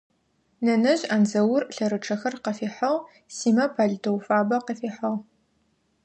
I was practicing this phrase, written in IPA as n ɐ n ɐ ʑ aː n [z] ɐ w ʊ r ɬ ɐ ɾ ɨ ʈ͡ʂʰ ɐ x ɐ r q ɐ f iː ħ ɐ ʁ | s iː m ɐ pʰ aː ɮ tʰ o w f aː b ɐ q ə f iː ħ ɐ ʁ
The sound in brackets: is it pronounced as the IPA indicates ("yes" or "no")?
yes